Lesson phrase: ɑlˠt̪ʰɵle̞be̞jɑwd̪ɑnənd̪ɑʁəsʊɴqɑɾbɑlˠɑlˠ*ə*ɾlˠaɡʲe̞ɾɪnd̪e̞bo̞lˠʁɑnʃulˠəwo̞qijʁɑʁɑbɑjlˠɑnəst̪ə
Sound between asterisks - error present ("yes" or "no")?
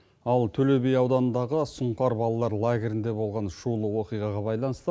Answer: yes